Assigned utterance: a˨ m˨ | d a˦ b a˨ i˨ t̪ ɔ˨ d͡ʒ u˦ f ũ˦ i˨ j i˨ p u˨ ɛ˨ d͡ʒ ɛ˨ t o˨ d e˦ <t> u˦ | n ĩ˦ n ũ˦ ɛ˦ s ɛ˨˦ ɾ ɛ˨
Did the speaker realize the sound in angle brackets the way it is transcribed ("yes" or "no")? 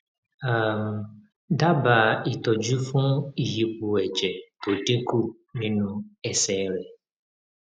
no